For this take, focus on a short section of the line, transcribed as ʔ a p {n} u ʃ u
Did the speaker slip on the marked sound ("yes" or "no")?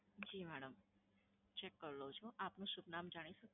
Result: no